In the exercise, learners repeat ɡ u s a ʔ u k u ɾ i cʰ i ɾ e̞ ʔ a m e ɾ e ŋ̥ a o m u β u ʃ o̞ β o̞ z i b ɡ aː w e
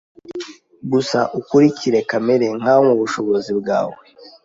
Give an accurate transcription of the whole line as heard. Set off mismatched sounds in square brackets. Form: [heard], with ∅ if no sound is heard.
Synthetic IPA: ɡ u s a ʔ u k u ɾ i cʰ i ɾ e̞ [k] a m e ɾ e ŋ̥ a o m u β u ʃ o̞ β o̞ z i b ɡ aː w e